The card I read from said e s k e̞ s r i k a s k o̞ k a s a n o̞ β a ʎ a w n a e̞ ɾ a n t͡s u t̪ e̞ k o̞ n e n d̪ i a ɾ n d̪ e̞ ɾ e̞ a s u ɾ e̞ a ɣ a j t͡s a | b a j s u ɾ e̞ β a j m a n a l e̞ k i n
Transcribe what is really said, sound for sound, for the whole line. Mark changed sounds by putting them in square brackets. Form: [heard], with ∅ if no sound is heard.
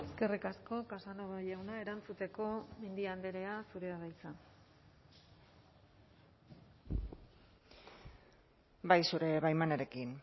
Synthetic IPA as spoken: e s k e̞ [∅] r i k a s k o̞ k a s a n o̞ β a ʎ a w n a e̞ ɾ a n t͡s u t̪ e̞ k o̞ [m] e n d̪ i a [∅] n d̪ e̞ ɾ e̞ a s u ɾ e̞ a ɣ a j t͡s a | b a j s u ɾ e̞ β a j m a n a [ɾ] e̞ k i n